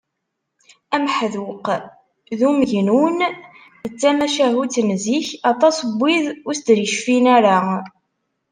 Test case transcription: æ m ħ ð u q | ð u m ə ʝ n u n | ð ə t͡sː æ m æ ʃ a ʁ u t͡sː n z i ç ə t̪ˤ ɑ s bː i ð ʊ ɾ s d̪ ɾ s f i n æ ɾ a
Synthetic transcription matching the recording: æ m ħ ð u q | ð u m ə ʝ n u n | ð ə t͡sː æ m æ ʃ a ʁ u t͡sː n z i ç ɑ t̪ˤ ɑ s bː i ð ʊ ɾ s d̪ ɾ ʃ f i n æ ɾ a

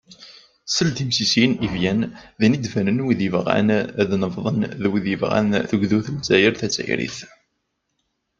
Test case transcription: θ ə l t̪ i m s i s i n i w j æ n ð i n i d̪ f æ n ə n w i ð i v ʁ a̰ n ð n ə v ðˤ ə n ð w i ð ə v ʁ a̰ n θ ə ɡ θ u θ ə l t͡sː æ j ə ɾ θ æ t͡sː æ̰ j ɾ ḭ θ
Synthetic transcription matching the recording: s ə l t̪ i m s i s i n i v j æ n ð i n i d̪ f æ n ə n w i ð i v ʁ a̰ n ð n ə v ðˤ ə n ð w i ð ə v ʁ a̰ n θ ə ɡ ð u θ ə l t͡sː æ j ə ɾ θ æ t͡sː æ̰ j ɾ ḭ θ

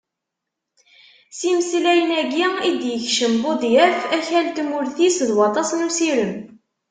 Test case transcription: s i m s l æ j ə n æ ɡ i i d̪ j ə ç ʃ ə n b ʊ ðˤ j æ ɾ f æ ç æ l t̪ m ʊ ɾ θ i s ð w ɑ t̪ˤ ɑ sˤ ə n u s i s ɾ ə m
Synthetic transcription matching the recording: s i m s l æ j ə n æ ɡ i i d̪ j ə ç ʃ ə m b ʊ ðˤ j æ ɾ f æ ç æ l t̪ m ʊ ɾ θ i s ð w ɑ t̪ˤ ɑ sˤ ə n u s i ɾ ə m

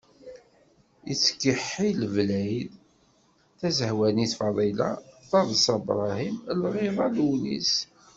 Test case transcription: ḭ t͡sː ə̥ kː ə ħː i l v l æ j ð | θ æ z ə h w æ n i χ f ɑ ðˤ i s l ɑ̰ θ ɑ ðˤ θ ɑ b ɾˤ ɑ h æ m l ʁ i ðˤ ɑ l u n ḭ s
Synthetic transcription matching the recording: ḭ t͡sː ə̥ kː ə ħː i l v l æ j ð | θ æ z ə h w æ n i θ f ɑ ðˤ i l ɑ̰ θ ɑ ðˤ s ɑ b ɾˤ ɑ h i m l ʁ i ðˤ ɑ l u n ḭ s

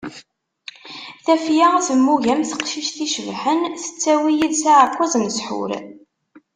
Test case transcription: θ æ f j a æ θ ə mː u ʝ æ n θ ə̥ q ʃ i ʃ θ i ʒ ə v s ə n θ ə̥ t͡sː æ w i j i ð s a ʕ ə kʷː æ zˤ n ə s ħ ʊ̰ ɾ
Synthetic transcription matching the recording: θ æ f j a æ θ ə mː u ʝ æ m θ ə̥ q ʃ i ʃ θ i ʃ ə v ħ ə n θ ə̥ t͡sː æ w i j i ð s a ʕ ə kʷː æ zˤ n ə s ħ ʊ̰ ɾ

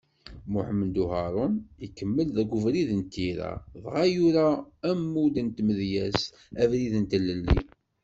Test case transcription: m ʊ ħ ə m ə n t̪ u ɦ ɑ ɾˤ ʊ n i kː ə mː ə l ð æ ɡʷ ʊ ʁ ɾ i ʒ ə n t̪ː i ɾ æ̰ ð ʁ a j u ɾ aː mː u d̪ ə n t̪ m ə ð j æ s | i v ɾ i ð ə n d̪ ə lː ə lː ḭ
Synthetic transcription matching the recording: m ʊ ħ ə m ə n d̪ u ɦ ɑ ɾˤ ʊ n i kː ə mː ə l ð æ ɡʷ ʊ v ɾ i ð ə n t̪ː i ɾ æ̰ ð ʁ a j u ɾ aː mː u d̪ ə n t̪ m ə ð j æ s | æ v ɾ i ð ə n t̪ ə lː ə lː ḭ

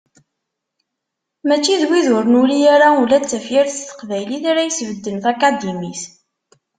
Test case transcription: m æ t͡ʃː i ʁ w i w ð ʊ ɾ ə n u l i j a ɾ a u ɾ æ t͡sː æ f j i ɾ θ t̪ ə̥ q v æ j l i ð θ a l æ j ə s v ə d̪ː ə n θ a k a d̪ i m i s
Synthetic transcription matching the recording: m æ t͡ʃː i ð w i ð ʊ ɾ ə n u l i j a ɾ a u l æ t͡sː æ f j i ɾ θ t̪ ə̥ q v æ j l i θ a ɾ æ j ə s v ə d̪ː ə n θ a k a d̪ i m i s

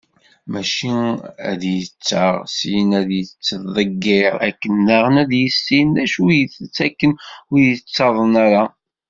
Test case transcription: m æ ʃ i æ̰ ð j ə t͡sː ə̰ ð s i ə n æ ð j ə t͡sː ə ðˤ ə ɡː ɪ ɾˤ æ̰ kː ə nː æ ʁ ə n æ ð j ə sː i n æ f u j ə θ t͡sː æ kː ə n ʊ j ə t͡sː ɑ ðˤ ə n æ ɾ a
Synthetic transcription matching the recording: m æ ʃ i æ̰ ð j ə t͡sː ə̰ ʁ s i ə n æ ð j ə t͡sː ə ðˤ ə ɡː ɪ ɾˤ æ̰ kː ə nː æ ʁ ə n æ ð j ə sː i n æ ʃ u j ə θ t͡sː æ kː ə n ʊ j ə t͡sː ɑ ðˤ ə n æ ɾ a

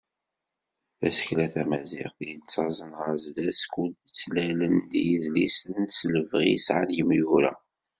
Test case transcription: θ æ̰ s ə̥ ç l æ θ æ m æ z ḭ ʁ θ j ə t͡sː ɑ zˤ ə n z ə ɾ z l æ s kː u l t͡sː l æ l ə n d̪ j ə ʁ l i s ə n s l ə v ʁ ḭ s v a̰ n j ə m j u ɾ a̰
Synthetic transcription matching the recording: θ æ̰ s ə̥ ç l æ θ æ m æ z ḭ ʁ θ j ə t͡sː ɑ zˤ ə n ʁ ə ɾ z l æ s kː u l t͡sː l æ l ə n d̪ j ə ð l i s ə n s l ə v ʁ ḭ s ʕ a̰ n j ə m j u ɾ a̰

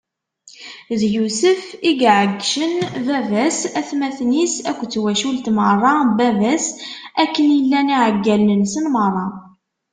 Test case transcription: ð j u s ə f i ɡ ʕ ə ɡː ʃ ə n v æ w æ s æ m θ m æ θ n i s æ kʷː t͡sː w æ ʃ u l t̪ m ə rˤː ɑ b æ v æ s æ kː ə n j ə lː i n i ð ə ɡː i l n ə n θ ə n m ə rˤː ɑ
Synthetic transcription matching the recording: ð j u s ə f i ɡ ʕ ə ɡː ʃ ə n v æ v æ s æ θ m æ θ n i s æ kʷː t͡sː w æ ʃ u l t̪ m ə rˤː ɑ b æ v æ s æ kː ə n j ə lː æ n i ʕ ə ɡː æ l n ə n s ə n m ə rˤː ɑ

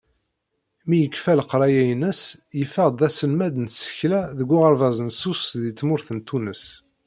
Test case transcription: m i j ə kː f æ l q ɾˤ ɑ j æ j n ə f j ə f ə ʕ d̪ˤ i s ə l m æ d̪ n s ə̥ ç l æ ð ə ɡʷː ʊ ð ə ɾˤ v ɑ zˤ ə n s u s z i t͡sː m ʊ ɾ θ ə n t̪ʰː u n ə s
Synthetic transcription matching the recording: m i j ə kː f æ l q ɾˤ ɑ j æ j n ə s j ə f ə ʁ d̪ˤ æ s ə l m æ d̪ n s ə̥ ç l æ ð ə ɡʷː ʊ ʁ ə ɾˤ v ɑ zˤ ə n s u s ð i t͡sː m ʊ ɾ θ ə n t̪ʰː u n ə s

